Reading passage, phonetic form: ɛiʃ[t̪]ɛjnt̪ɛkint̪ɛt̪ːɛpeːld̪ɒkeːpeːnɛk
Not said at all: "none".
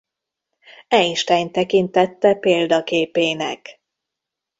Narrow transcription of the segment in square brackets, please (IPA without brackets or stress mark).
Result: t̪